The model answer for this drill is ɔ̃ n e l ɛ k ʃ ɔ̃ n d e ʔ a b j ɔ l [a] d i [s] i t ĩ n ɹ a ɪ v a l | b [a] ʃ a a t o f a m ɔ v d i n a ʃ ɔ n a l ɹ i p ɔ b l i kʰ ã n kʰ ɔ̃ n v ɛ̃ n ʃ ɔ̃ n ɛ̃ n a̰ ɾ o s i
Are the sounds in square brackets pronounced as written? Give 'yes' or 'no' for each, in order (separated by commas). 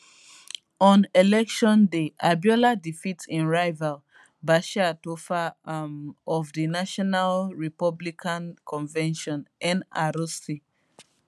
yes, no, yes